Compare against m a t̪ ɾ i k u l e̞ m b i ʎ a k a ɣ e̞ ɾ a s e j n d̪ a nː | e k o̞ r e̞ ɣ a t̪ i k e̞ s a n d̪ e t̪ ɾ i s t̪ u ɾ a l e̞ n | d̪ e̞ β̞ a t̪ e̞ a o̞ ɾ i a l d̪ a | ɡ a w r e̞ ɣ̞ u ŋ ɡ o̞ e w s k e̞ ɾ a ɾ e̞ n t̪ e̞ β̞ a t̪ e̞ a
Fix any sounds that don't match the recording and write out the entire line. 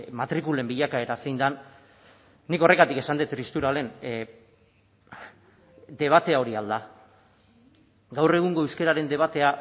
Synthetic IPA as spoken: m a t̪ ɾ i k u l e̞ m b i ʎ a k a e̞ ɾ a s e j n d̪ a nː | i k o̞ r e̞ ɣ a t̪ i k e̞ s a n d̪ e t̪ ɾ i s t̪ u ɾ a l e̞ n | d̪ e̞ β̞ a t̪ e̞ a o̞ ɾ i a l d̪ a | ɡ a w r e̞ ɣ̞ u ŋ ɡ o̞ e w s k e̞ ɾ a ɾ e̞ n d̪ e̞ β̞ a t̪ e̞ a